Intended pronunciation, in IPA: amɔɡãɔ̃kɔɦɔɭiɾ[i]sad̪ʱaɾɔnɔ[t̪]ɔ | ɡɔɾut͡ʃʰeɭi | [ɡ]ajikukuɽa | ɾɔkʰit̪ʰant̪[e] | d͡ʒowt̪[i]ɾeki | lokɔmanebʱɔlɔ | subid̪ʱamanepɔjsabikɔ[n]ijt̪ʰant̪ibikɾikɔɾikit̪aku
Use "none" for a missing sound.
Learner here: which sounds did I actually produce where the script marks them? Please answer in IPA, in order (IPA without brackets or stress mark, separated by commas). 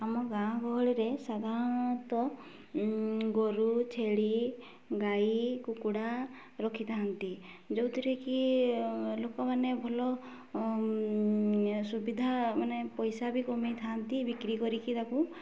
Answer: e, t̪, ɡ, i, i, m